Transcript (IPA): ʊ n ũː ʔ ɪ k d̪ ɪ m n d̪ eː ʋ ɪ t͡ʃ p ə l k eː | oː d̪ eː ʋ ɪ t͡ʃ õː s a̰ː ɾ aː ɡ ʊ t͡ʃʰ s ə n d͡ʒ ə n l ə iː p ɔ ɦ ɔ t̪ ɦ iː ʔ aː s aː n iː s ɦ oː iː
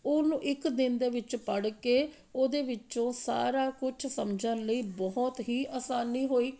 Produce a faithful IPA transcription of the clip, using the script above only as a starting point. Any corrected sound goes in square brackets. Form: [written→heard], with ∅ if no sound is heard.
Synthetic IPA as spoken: ʊ n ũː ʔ ɪ k d̪ ɪ [m→∅] n d̪ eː ʋ ɪ t͡ʃ p ə [l→ɽ] k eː | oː d̪ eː ʋ ɪ t͡ʃ õː s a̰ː ɾ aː [ɡ→k] ʊ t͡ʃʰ s ə [n→m] d͡ʒ ə n l ə iː [p→b] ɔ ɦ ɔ t̪ ɦ iː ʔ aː s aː n iː [s→∅] ɦ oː iː